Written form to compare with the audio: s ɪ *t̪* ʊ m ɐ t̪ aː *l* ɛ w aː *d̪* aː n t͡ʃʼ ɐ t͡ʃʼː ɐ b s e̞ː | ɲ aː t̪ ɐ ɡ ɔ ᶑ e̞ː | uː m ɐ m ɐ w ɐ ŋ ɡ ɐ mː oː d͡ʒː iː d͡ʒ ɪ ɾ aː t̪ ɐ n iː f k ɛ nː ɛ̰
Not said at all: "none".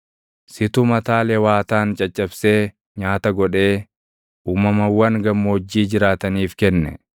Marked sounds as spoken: t̪, l, t̪

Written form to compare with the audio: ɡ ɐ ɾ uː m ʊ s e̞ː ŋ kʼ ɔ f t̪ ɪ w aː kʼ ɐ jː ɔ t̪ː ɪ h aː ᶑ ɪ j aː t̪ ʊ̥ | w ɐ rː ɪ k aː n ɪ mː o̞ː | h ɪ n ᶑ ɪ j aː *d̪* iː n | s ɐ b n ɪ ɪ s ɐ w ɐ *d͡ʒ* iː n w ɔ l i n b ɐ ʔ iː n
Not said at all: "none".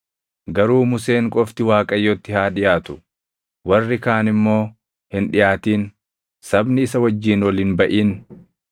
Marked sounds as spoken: t̪, d͡ʒː

